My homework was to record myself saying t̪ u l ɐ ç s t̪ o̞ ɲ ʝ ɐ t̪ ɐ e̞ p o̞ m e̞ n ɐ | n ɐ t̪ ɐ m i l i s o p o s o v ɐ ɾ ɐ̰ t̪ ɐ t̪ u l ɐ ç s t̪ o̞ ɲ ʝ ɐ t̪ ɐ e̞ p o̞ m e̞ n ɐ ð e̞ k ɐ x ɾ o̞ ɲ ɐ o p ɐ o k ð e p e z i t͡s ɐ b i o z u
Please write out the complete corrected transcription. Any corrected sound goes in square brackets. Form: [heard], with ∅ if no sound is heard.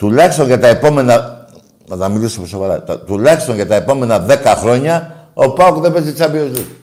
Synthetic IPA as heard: t̪ u l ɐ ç s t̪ o̞ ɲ ʝ ɐ t̪ ɐ e̞ p o̞ m e̞ n ɐ | n ɐ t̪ ɐ m i l i s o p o s o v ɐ ɾ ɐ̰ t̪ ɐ t̪ u l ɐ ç s t̪ o̞ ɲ ʝ ɐ t̪ ɐ e̞ p o̞ m e̞ n ɐ ð e̞ k ɐ x ɾ o̞ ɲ ɐ o p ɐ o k ð e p e z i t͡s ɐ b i o z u